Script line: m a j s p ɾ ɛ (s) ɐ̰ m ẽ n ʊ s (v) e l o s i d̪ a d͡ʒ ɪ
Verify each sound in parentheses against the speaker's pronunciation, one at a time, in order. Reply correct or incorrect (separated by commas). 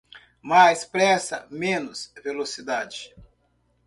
correct, correct